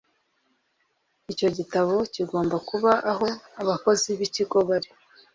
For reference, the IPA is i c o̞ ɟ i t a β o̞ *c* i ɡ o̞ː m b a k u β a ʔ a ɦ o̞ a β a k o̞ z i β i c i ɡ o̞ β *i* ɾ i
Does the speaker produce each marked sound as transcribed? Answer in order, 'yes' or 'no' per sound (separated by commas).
yes, no